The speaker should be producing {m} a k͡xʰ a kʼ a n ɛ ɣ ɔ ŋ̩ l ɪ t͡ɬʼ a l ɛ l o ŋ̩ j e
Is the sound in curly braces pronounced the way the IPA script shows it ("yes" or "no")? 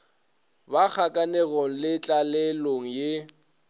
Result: no